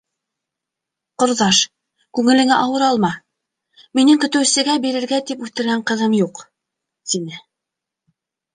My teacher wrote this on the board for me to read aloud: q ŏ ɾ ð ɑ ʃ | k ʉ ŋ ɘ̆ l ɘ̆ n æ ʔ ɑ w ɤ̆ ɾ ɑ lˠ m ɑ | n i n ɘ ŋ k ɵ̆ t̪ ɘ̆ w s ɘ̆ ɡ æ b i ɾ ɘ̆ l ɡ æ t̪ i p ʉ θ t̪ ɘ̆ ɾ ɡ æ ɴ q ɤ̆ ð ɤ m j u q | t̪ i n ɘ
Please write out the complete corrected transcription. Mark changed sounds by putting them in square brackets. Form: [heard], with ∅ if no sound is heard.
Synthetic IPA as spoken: q ŏ ɾ ð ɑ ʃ | k ʉ ŋ ɘ̆ l ɘ̆ [ŋ] æ ʔ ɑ w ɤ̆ ɾ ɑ lˠ m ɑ | [m] i n ɘ ŋ k ɵ̆ t̪ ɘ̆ w s ɘ̆ ɡ æ b i ɾ ɘ̆ [ɾ] ɡ æ t̪ i p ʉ θ t̪ ɘ̆ ɾ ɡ æ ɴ q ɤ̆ ð ɤ m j u q | t̪ i n ɘ